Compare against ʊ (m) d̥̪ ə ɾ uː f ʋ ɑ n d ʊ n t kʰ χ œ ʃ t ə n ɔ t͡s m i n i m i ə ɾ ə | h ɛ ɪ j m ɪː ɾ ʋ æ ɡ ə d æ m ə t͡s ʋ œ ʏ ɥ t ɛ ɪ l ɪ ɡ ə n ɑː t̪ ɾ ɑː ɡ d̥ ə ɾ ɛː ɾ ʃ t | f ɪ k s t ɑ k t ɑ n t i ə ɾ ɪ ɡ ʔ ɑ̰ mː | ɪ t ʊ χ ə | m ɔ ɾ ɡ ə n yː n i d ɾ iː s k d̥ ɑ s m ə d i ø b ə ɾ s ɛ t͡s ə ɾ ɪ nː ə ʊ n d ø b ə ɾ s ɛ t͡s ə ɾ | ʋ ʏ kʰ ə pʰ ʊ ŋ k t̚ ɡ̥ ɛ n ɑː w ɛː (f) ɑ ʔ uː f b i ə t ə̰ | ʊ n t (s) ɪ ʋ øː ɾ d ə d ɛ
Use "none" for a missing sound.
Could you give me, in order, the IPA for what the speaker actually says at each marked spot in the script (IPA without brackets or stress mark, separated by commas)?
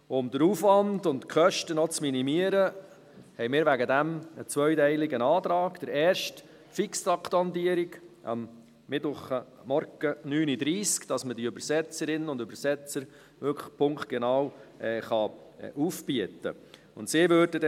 m, χ, s